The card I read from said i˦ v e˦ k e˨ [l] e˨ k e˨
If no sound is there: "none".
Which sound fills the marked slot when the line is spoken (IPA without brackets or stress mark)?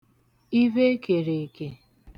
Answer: ɾ